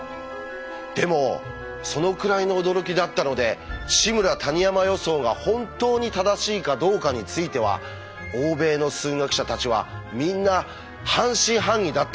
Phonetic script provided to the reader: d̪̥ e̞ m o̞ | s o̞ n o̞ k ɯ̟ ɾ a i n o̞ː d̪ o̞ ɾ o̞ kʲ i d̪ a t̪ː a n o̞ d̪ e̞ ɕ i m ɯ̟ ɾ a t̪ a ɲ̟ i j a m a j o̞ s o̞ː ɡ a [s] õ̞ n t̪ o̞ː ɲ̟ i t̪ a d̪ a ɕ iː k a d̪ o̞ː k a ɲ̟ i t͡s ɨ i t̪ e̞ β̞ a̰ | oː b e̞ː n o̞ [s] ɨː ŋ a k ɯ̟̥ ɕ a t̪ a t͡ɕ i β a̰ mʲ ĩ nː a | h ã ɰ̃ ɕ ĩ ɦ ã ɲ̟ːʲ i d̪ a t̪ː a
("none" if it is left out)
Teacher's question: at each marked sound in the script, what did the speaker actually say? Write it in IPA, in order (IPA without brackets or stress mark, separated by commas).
h, s